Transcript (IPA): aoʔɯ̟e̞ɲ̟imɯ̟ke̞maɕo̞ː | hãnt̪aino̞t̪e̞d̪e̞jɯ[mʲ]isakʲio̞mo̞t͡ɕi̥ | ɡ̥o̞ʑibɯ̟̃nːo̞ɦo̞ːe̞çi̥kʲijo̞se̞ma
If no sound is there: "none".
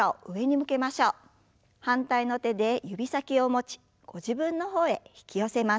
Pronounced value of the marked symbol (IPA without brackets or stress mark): bʲ